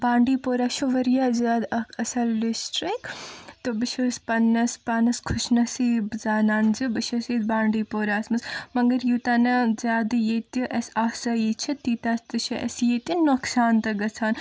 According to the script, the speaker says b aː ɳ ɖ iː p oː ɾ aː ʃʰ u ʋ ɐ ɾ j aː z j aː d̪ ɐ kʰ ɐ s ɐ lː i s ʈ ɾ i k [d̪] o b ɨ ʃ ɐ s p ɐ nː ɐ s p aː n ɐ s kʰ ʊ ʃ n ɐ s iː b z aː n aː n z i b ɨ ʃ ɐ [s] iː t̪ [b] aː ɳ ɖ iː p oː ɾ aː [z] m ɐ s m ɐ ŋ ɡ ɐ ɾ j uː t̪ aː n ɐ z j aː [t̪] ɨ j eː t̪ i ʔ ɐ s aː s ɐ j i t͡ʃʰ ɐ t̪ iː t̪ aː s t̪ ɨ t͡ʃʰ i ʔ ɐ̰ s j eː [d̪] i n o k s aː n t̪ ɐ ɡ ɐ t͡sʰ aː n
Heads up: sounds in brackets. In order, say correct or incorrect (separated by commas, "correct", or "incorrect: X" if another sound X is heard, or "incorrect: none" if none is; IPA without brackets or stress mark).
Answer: incorrect: t̪, correct, correct, incorrect: s, incorrect: d̪, incorrect: t̪